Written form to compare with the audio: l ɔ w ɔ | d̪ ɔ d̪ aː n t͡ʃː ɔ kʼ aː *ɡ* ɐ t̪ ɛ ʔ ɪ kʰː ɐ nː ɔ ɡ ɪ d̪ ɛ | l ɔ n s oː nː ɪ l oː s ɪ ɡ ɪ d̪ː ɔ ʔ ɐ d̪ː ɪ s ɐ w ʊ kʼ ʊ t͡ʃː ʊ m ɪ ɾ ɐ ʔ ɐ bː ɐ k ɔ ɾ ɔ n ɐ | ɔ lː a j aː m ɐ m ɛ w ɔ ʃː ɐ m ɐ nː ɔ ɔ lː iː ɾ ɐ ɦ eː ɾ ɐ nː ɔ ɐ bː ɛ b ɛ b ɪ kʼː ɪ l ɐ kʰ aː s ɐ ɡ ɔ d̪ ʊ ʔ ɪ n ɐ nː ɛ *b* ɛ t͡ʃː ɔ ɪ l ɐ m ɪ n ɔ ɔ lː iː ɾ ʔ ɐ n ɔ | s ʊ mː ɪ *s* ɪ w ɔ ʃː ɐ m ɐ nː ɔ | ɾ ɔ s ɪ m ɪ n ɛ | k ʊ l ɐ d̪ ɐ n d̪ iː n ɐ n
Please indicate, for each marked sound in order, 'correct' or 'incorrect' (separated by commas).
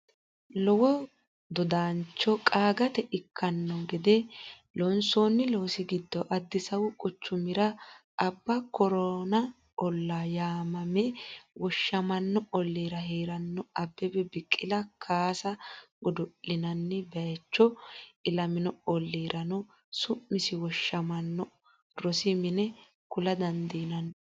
correct, correct, correct